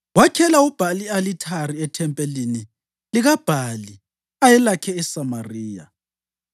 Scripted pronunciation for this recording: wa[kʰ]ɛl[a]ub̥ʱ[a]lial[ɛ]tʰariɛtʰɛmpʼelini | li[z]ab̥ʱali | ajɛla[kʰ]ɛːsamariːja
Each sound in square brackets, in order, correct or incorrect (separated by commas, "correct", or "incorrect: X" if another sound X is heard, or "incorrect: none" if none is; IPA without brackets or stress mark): correct, correct, correct, incorrect: i, incorrect: ɣ, correct